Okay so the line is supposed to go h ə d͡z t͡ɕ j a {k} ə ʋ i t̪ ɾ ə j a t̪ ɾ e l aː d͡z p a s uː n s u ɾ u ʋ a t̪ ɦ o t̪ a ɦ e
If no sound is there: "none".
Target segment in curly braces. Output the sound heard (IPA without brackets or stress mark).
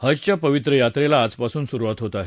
p